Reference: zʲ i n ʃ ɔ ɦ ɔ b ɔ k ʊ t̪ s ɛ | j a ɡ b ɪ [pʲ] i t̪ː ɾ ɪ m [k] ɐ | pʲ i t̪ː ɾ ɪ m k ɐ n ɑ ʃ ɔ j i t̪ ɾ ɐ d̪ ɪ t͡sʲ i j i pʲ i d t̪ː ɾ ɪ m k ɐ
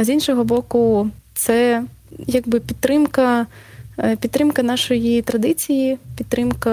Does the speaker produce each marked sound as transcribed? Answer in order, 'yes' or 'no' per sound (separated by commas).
yes, yes